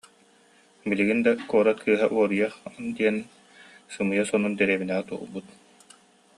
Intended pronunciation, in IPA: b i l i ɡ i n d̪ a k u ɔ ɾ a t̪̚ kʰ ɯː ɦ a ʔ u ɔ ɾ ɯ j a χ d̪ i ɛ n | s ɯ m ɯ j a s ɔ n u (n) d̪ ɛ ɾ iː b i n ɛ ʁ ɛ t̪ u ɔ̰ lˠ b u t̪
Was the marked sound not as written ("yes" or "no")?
no